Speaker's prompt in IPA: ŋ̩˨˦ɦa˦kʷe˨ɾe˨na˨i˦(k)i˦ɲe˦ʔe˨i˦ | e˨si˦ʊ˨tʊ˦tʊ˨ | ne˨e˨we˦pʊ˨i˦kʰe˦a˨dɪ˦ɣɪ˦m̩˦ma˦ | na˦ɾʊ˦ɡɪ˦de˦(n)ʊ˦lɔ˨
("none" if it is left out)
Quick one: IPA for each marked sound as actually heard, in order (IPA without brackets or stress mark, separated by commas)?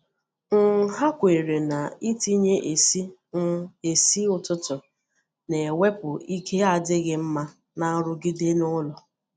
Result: t, n